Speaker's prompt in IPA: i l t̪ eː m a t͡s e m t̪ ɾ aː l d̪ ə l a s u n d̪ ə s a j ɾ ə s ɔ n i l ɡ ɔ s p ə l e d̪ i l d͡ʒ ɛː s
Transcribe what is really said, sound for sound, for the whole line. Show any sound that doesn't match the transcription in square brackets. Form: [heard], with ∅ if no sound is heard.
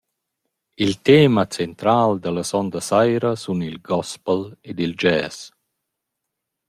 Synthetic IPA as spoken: i l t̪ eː m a t͡s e [n] t̪ ɾ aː l d̪ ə l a s [ɔ] n d̪ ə s a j ɾ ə s [u] n i l ɡ ɔ s p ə l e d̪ i l d͡ʒ ɛː s